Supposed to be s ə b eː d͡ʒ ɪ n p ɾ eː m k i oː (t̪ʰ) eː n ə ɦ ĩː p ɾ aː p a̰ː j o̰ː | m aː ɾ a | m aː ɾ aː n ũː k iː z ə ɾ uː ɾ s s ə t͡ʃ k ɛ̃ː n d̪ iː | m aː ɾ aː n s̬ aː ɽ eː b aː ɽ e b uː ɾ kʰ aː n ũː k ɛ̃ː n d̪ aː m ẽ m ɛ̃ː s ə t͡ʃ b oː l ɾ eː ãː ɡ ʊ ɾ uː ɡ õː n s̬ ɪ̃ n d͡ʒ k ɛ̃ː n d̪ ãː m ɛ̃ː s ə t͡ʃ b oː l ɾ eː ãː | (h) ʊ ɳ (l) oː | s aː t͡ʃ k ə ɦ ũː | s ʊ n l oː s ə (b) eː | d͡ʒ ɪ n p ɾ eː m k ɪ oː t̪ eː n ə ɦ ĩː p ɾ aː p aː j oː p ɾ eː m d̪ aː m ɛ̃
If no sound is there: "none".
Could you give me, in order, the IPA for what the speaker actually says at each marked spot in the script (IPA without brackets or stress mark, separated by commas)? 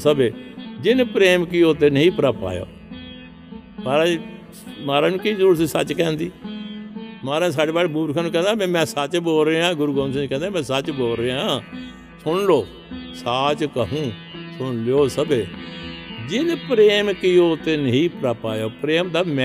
t̪, s, l, b